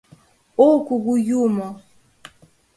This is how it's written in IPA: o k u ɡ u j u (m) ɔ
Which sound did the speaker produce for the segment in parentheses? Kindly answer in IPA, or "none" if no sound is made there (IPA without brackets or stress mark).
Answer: m